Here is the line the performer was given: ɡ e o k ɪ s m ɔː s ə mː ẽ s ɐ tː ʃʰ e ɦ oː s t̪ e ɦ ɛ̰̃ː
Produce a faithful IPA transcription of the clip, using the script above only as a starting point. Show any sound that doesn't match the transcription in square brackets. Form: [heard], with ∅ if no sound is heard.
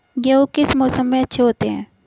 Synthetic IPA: ɡ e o k ɪ s m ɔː s ə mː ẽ [∅] ɐ tː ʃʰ e ɦ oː [∅] t̪ e ɦ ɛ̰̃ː